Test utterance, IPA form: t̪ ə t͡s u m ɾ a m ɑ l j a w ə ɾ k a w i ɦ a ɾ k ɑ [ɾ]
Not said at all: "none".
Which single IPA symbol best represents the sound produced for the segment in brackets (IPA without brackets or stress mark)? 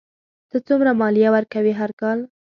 l